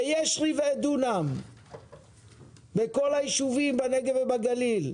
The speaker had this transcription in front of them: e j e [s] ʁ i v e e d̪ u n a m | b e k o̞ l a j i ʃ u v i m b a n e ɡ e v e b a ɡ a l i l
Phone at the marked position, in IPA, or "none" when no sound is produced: ʃ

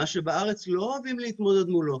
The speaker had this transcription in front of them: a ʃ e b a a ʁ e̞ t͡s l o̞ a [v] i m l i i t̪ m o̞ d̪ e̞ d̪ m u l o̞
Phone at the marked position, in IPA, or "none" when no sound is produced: v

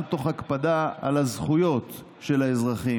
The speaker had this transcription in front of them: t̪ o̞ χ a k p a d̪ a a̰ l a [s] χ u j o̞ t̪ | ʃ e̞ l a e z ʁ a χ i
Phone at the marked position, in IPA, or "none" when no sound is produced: z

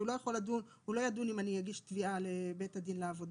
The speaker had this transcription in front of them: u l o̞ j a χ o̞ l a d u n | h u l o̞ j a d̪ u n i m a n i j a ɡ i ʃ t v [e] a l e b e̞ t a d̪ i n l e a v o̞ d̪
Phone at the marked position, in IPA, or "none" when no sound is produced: i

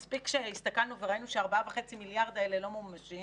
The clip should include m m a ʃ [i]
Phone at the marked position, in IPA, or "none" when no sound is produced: i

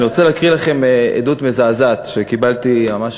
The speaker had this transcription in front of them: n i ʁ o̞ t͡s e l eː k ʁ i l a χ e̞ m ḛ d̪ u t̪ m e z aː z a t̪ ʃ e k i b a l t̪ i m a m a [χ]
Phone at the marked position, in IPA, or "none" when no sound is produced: ʃ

